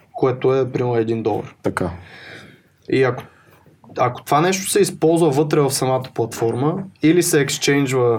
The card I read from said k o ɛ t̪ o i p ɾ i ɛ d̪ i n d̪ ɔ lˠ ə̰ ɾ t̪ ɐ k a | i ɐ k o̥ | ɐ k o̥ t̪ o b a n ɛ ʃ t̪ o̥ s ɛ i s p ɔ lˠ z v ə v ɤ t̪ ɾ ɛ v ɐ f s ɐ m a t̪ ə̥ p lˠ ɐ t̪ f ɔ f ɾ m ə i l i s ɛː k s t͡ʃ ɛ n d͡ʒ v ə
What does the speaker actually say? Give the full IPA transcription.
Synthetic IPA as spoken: k o ɛ t̪ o ɛ p ɾ i ɛ d̪ i n d̪ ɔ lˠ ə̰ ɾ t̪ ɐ k a | i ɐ k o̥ | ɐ k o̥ t̪ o v a n ɛ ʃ t̪ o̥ s ɛ i s p ɔ lˠ z v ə v ɤ t̪ ɾ ɛ v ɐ f s ɐ m a t̪ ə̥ p lˠ ɐ t̪ f ɔ ɾ m ə i l i s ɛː k s t͡ʃ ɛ n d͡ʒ v ə